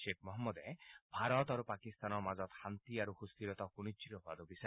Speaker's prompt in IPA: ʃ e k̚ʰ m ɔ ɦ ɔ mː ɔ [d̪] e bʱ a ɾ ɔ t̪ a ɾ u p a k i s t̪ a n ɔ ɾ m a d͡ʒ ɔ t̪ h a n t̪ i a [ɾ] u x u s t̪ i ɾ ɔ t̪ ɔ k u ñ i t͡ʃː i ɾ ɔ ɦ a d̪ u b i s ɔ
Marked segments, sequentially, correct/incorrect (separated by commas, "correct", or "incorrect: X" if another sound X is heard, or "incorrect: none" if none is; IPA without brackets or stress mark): correct, correct